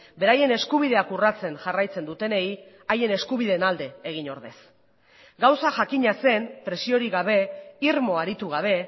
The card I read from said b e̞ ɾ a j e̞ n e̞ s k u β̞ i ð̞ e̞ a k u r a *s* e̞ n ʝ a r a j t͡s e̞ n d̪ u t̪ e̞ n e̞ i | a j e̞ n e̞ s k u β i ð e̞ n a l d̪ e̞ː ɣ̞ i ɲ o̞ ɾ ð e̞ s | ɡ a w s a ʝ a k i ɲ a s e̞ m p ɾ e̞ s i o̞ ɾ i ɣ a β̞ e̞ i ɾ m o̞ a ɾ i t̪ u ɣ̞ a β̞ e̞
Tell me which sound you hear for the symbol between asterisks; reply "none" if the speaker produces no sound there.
t͡s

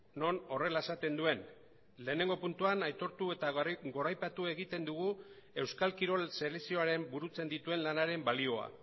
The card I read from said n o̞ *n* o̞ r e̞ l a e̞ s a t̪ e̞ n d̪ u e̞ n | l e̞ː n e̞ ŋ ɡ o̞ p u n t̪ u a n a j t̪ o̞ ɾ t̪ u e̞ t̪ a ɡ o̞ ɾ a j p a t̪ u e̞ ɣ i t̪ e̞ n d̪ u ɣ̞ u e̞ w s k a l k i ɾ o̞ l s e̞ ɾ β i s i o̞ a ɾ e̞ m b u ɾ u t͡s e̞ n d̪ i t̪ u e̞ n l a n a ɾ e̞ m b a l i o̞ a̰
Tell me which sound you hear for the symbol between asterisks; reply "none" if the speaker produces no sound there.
n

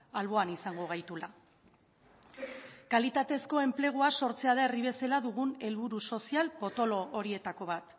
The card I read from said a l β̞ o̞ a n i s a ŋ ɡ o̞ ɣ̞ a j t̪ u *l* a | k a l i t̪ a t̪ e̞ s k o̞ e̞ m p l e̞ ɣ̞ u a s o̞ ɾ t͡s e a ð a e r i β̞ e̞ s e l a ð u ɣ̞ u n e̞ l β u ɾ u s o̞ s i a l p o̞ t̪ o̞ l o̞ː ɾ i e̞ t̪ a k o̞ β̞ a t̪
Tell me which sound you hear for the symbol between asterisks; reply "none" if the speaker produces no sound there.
l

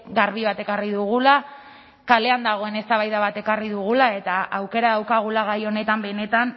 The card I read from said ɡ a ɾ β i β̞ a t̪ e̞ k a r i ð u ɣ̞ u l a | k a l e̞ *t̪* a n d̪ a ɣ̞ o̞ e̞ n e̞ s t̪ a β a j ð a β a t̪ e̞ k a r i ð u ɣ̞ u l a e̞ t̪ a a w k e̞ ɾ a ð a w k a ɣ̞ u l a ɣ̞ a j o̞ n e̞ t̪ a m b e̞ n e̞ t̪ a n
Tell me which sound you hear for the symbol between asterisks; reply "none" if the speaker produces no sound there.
none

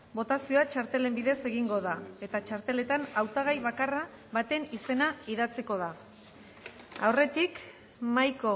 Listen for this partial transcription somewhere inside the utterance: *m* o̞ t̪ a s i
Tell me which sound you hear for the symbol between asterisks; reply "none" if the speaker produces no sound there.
b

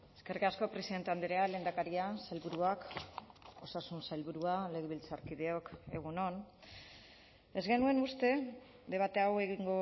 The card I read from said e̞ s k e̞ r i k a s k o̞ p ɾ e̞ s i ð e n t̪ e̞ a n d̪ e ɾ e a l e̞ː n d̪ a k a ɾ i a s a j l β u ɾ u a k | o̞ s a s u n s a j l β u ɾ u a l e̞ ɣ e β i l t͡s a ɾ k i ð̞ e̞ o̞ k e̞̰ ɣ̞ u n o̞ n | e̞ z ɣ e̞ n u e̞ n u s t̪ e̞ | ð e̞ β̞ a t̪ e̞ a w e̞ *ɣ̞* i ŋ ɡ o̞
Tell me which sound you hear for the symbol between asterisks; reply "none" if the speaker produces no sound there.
ɣ̞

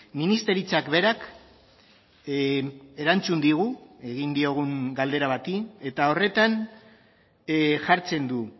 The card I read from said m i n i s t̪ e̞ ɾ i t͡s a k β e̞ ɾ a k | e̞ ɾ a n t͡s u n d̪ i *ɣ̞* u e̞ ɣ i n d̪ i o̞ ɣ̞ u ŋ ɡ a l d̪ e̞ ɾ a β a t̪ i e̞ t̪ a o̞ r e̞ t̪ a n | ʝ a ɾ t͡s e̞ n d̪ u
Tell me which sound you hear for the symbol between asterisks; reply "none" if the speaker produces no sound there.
ɣ̞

